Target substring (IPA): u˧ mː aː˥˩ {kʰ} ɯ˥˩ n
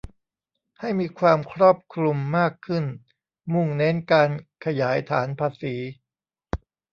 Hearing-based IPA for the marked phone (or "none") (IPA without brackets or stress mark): kʰ